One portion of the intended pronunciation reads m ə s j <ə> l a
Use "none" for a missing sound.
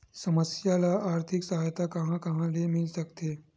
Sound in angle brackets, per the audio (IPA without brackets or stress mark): a